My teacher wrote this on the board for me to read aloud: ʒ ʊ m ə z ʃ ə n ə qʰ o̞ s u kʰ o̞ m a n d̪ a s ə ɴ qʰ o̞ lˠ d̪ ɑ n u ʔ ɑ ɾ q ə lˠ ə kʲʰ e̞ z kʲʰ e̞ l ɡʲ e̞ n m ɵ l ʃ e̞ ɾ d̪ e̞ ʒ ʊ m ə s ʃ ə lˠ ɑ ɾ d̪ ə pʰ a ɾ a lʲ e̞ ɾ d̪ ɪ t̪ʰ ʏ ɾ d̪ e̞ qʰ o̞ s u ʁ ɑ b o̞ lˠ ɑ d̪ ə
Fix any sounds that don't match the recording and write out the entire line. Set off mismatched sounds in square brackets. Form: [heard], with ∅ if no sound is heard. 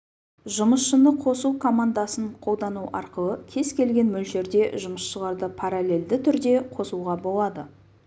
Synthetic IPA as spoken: ʒ ʊ m ə [s] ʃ ə n ə qʰ o̞ s u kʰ o̞ m a n d̪ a s ə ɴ qʰ o̞ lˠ d̪ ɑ n u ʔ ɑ ɾ q ə lˠ ə kʲʰ e̞ z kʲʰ e̞ l ɡʲ e̞ n m ɵ l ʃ e̞ ɾ d̪ e̞ ʒ ʊ m ə s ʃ ə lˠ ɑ ɾ d̪ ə pʰ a ɾ a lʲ e̞ [l] d̪ ɪ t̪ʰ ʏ ɾ d̪ e̞ qʰ o̞ s u ʁ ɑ b o̞ lˠ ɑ d̪ ə